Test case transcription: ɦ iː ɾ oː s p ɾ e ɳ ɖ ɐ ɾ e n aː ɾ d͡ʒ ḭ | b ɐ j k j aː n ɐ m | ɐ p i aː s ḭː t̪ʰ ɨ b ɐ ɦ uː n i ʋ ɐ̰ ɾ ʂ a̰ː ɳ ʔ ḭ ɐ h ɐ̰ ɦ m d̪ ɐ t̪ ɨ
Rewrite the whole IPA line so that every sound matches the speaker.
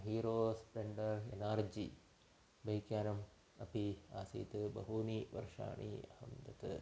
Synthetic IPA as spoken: ɦ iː ɾ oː s p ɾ e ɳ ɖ ɐ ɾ e n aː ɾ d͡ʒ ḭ | b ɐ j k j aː n ɐ m | ɐ p i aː s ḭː t̪ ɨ b ɐ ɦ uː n i ʋ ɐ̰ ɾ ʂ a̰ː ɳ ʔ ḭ ɐ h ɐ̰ m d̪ ɐ t̪ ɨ